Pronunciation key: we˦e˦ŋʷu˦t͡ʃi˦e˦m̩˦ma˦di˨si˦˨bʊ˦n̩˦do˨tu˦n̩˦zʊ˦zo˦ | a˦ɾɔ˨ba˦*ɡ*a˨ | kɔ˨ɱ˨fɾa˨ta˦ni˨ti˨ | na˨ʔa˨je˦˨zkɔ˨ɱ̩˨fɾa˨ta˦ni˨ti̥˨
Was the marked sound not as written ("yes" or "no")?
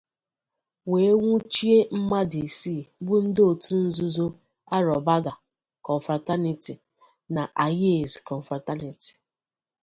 no